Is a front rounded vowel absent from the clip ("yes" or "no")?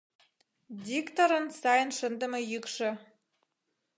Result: no